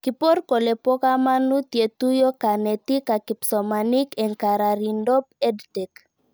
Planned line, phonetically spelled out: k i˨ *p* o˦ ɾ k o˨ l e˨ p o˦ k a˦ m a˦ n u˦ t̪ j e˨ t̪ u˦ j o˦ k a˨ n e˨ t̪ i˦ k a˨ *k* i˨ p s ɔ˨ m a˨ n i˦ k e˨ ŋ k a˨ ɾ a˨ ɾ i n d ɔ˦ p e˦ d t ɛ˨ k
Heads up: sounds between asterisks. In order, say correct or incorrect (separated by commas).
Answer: correct, correct